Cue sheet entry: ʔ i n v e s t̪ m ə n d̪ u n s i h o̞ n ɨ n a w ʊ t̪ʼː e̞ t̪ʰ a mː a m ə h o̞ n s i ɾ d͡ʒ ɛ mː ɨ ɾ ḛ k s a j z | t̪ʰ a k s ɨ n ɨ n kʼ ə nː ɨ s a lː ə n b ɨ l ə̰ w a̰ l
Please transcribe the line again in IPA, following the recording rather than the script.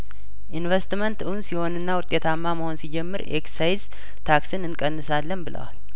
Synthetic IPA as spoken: ʔ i n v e s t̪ m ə n t̪ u n s i h o̞ n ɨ nː a w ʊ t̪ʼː e̞ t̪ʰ a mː a m ə h o̞ n s i d͡ʒ ɛ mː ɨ ɾ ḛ k s a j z | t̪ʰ a k s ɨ n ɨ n kʼ ə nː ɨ s a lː ə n b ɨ l ə̰ w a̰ l

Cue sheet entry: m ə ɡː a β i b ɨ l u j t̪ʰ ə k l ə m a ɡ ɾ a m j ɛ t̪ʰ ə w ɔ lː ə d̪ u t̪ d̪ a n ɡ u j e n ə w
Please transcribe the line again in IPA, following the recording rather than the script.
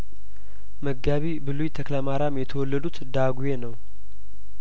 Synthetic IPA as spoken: m ə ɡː a β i b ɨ l u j t̪ʰ ə k l ə m a ɾ a m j ɛ t̪ʰ ə w ɔ lː ə d̪ u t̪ d̪ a ɡ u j e n ə w

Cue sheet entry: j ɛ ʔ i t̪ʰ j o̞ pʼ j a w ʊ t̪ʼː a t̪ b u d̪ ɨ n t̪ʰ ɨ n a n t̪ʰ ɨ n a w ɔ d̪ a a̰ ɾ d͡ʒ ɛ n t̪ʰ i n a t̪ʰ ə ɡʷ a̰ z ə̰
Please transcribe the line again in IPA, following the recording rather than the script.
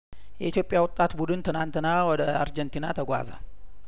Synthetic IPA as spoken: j ɛ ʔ i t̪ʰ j o̞ pʼ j a w ʊ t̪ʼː a t̪ b u d̪ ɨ n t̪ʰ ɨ n a n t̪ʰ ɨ n a w ɔ d̪ ə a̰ ɾ d͡ʒ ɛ n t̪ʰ i n a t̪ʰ ə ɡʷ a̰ z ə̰

